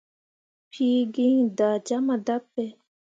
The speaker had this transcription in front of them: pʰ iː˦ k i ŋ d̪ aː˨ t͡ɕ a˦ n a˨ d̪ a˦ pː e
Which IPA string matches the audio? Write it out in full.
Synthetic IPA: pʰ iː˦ ɡ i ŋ d̪ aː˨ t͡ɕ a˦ m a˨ d̪ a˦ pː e